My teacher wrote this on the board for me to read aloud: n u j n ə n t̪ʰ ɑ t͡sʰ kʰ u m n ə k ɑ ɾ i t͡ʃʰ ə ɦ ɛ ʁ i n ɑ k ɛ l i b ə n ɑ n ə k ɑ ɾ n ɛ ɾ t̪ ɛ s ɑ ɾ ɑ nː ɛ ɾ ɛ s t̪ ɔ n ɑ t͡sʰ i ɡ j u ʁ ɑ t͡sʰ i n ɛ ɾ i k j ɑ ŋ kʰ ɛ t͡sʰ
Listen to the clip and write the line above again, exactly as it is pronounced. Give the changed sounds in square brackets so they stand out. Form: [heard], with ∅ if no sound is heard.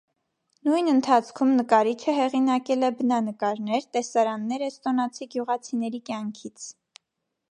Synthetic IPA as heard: n u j n ə n t̪ʰ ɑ t͡sʰ kʰ u m n ə k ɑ ɾ i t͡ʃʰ ə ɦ ɛ ʁ i n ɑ k ɛ l [ɛ] b ə n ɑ n ə k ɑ ɾ n ɛ ɾ t̪ ɛ s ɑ ɾ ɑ nː ɛ ɾ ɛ s t̪ ɔ n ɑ t͡sʰ i ɡ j u ʁ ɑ t͡sʰ i n ɛ ɾ i k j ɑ ŋ kʰ [i] t͡sʰ